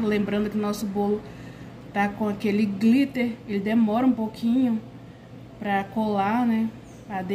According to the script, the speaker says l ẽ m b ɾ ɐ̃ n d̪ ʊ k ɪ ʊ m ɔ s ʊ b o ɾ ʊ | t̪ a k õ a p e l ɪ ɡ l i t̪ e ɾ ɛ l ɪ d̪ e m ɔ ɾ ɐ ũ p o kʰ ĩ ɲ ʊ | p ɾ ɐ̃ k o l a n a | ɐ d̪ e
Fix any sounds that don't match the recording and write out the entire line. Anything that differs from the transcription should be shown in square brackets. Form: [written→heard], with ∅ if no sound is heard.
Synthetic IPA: l ẽ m b ɾ ɐ̃ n d̪ ʊ k ɪ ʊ [m→n] ɔ s ʊ b o [ɾ→l] ʊ | t̪ a k õ a [p→k] e l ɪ ɡ l i t̪ e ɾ [ɛ→e] l ɪ d̪ e m ɔ ɾ ɐ ũ p o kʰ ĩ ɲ ʊ | p ɾ [ɐ̃→ɐ] k o l a n [a→ɛ] | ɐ d̪ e